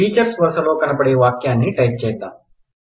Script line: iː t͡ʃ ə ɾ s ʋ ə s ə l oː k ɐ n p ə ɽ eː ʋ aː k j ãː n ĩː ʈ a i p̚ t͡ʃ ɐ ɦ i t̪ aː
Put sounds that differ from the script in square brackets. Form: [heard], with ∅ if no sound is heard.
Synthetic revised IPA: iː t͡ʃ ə ɾ s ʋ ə s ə l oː k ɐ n p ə ɽ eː ʋ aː k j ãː n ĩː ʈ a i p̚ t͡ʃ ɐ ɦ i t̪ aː